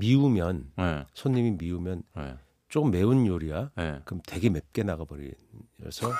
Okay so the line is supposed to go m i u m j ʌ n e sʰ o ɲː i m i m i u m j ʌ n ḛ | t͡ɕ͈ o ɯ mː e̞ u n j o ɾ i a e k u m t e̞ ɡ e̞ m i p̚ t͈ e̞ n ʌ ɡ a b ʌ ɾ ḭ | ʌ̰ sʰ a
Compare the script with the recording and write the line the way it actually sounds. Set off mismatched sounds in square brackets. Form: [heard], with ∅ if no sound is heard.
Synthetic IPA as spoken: m i u m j ʌ n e sʰ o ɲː i m i m i u m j ʌ n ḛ | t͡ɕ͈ o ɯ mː e̞ u n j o ɾ i a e k [ɯ] m t e̞ ɡ e̞ m [e] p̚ [k͈] e̞ n [a] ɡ a b ʌ ɾ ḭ | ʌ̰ sʰ [ʌ]